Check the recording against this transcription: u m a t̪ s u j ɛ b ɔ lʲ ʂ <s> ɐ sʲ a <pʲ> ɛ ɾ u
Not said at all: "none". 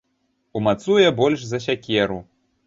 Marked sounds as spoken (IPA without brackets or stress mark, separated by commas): z, kʲ